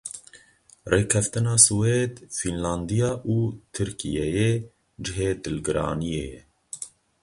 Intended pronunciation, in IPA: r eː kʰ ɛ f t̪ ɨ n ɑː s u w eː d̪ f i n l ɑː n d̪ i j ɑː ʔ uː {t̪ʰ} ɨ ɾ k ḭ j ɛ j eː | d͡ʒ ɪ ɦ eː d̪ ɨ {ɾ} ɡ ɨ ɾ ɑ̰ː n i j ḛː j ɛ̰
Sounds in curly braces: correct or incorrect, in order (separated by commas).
correct, incorrect